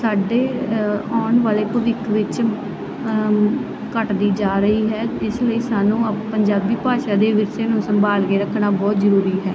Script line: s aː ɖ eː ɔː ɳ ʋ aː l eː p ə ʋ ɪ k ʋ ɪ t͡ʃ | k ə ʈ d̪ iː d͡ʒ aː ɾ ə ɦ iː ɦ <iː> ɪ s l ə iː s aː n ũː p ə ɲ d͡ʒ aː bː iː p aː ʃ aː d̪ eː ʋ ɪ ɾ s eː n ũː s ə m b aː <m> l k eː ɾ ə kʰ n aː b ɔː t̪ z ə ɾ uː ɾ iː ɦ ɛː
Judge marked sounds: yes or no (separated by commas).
no, no